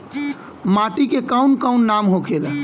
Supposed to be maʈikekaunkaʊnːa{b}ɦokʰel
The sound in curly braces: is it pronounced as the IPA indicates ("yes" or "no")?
no